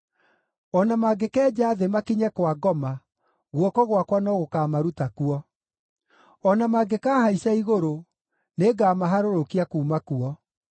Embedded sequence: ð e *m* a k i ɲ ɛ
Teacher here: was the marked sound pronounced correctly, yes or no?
yes